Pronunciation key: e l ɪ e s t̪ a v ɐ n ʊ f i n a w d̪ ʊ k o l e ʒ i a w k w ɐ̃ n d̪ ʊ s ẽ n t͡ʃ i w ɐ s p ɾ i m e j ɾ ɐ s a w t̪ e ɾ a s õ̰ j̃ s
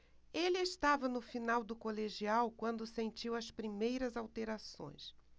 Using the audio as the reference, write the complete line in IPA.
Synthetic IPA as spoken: e l ɪ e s t̪ a v ɐ n ʊ f i n a w d̪ ʊ k o l e ʒ i a w k w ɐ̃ n d̪ ʊ s ẽ n t͡ʃ i w ɐ s p ɾ i m e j ɾ ɐ z a w t̪ e ɾ a s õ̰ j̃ s